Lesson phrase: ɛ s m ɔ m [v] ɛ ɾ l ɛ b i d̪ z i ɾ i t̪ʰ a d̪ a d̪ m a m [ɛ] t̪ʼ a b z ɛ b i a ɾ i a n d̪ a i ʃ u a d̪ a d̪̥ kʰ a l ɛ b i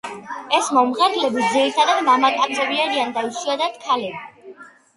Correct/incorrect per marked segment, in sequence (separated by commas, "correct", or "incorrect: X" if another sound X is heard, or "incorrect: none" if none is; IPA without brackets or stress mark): incorrect: ʁ, incorrect: a